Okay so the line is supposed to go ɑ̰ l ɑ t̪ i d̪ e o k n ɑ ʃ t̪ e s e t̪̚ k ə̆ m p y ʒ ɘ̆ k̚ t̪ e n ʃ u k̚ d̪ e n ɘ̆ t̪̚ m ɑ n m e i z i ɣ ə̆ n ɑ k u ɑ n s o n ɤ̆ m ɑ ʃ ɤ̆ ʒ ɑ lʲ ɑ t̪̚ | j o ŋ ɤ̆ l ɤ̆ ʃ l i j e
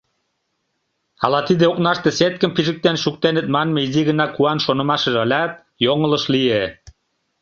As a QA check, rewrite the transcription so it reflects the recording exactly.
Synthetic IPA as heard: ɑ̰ l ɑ t̪ i d̪ e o k n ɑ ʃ t̪ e s e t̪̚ k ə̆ m p i ʒ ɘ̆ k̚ t̪ e n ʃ u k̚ t̪ e n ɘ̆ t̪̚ m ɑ n m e i z i ɣ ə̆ n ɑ k u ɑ n ʃ o n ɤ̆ m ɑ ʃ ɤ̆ ʒ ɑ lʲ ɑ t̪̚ | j o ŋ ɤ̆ l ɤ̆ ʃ l i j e